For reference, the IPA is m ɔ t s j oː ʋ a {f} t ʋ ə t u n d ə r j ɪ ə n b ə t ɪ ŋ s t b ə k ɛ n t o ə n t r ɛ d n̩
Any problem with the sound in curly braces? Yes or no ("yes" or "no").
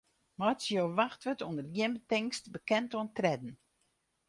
yes